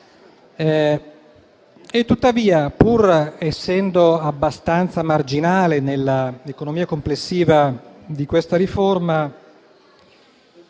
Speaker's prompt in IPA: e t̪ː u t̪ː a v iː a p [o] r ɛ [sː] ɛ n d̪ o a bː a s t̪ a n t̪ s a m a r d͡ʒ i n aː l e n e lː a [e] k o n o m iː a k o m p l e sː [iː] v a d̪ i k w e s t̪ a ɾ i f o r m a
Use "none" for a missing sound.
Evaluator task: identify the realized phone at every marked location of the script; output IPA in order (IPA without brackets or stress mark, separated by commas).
u, sː, e, iː